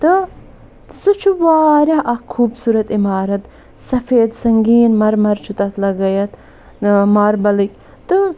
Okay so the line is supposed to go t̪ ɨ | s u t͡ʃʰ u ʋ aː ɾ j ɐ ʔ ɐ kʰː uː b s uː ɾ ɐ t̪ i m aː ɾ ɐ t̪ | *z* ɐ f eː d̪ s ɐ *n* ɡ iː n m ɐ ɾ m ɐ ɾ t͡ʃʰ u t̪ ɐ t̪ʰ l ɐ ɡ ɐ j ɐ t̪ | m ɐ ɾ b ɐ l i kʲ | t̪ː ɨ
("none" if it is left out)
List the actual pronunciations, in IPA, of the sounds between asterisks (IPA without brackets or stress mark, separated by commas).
s, ŋ